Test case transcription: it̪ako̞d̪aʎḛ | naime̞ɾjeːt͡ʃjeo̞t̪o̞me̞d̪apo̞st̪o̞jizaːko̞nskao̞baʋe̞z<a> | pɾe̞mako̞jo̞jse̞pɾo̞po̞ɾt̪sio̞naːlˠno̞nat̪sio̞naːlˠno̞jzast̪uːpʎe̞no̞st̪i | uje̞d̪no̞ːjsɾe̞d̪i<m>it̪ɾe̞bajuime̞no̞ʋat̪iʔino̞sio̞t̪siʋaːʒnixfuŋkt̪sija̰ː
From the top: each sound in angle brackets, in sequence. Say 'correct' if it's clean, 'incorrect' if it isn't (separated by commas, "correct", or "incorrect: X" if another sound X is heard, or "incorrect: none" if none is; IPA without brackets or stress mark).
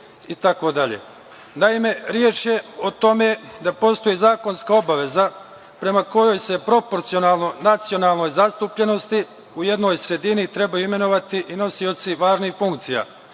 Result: correct, incorrect: n